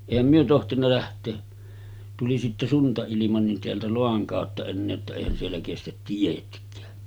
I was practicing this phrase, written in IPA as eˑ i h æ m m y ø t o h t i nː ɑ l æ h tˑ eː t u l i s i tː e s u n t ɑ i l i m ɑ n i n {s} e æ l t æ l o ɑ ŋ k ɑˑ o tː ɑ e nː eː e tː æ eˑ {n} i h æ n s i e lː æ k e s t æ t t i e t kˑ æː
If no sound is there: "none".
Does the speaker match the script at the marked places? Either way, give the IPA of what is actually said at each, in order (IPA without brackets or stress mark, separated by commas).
t, none